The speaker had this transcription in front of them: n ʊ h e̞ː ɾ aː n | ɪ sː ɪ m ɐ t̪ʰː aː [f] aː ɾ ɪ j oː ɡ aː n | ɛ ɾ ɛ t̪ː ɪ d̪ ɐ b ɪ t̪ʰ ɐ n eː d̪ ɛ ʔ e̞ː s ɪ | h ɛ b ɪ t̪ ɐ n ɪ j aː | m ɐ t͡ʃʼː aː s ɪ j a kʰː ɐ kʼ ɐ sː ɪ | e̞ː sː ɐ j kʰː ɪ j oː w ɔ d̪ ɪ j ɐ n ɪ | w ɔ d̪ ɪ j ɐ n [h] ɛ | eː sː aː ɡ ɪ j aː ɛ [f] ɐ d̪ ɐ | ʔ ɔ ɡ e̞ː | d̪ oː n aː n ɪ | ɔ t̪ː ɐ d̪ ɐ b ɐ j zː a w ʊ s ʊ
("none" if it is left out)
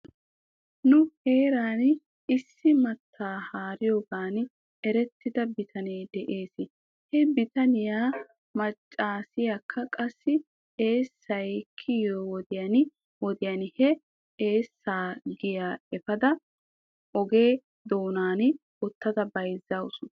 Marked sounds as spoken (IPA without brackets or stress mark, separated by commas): h, h, f